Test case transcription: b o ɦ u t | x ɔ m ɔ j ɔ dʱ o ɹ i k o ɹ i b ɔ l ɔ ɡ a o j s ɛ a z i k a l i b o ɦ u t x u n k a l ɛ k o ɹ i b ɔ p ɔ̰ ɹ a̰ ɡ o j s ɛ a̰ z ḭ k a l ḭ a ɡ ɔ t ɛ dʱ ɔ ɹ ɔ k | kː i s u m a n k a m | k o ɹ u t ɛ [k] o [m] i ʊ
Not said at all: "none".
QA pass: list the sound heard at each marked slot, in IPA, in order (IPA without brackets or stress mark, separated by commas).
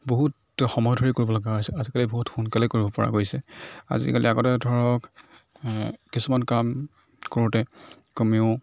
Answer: k, m